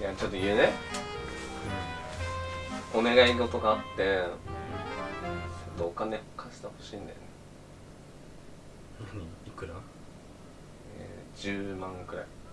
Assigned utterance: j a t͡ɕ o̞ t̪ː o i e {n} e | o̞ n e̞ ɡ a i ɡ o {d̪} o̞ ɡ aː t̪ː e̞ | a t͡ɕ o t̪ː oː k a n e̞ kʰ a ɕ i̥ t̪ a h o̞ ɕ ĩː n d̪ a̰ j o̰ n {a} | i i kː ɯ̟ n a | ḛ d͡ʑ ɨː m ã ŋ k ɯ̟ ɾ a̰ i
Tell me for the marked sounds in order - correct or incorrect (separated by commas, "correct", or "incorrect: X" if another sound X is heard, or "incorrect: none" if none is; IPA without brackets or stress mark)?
correct, incorrect: t̪, incorrect: e